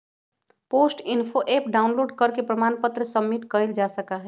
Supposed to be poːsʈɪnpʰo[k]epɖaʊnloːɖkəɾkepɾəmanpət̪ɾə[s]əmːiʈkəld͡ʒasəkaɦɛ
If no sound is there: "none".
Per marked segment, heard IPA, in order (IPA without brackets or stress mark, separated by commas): ʔ, s